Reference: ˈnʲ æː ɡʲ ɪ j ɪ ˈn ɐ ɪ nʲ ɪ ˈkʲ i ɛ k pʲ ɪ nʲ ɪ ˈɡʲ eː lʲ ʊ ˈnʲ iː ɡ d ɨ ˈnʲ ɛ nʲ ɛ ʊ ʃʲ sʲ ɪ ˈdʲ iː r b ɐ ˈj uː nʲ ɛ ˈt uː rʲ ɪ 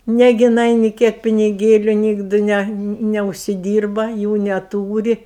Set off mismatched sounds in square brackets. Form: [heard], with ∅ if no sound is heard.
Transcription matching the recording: ˈnʲ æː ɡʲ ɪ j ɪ ˈn ɐ ɪ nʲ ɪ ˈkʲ i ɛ k pʲ ɪ nʲ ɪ ˈɡʲ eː lʲ ʊ ˈnʲ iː ɡ d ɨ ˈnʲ ɛ nʲ ɛ ʊ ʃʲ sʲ ɪ ˈdʲ iː r b ɐ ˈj uː nʲ ɛ ˈt uː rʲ ɪ